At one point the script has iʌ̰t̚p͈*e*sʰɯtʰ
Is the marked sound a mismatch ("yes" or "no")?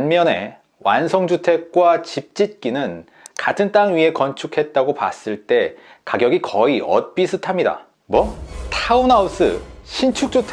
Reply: yes